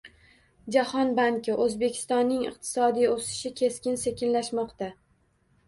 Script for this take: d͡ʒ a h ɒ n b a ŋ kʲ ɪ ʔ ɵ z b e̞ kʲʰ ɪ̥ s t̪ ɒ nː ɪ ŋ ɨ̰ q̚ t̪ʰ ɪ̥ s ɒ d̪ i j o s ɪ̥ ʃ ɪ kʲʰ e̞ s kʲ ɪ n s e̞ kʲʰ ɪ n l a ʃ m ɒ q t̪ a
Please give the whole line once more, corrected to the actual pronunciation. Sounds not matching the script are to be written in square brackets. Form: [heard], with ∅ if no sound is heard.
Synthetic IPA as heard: d͡ʒ a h ɒ n b a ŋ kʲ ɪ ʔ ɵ z b e̞ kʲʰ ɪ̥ s t̪ ɒ nː ɪ ŋ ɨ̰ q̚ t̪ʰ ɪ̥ s ɒ d̪ i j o s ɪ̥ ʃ ɪ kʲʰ e̞ s kʲ ɪ n s e̞ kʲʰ ɪ n l a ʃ m ɒ q t̪ a